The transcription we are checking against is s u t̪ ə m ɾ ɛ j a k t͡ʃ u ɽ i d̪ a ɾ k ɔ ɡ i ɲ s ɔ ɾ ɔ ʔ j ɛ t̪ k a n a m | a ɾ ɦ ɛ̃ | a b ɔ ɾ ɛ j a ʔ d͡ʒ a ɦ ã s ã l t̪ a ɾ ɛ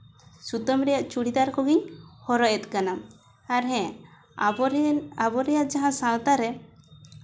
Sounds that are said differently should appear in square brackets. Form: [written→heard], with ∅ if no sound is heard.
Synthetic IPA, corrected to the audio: s u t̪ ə m ɾ ɛ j a [k→ʔ] t͡ʃ u ɽ i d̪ a ɾ k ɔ ɡ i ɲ [s→h] ɔ ɾ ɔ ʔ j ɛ t̪ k a n a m | a ɾ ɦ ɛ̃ | a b ɔ ɾ ɛ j a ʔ d͡ʒ a ɦ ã s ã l t̪ a ɾ ɛ